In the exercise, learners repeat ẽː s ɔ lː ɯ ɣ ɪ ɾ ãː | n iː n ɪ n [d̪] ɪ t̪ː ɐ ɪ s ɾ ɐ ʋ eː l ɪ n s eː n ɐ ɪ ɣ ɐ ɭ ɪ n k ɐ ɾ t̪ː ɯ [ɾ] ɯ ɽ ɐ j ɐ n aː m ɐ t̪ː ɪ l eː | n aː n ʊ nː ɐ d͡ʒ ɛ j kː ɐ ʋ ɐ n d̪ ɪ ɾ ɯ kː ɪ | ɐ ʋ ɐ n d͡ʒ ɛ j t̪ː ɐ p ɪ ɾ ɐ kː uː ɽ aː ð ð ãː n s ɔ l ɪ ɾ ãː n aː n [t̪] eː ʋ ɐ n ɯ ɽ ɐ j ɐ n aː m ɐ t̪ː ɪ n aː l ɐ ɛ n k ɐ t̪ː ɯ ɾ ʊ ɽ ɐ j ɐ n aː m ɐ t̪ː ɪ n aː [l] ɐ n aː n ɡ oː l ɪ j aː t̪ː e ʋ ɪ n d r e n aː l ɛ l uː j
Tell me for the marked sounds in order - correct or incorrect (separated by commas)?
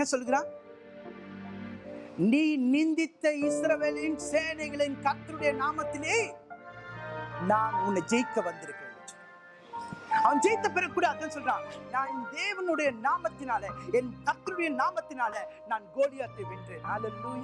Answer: correct, correct, incorrect, correct